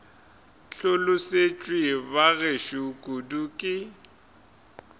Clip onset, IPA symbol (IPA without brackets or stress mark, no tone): ɬ